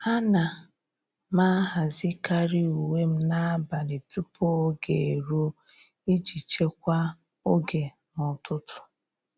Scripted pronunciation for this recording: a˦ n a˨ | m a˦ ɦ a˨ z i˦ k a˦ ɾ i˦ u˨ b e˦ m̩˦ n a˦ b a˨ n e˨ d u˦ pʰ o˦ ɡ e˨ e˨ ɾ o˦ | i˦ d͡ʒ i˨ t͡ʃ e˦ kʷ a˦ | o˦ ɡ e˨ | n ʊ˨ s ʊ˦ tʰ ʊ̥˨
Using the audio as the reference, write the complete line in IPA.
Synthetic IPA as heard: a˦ n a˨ | m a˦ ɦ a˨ z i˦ k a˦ ɾ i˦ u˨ w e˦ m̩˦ n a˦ b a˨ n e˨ t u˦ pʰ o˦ ɡ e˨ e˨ ɾ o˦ | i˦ d͡ʒ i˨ t͡ʃ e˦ kʷ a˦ | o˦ ɡ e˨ | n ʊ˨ t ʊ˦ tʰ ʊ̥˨